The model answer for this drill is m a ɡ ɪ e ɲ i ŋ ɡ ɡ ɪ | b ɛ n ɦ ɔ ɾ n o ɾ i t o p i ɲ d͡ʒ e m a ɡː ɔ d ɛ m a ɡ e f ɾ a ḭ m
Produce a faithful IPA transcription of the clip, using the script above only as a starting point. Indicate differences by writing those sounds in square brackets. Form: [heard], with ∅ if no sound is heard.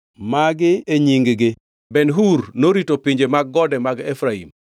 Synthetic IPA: m a ɡ ɪ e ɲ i ŋ ɡ ɡ ɪ | b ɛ n ɦ [u] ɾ n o ɾ i t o p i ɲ d͡ʒ e m a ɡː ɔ d ɛ m a ɡ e f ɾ a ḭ m